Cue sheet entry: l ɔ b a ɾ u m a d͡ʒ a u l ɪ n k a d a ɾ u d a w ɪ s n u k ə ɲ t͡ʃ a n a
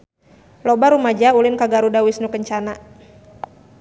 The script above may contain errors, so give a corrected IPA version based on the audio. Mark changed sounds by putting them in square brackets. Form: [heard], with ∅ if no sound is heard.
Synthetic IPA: l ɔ b a ɾ u m a d͡ʒ a u l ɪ n k a [ɡ] a ɾ u d a w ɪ s n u k ə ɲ t͡ʃ a n a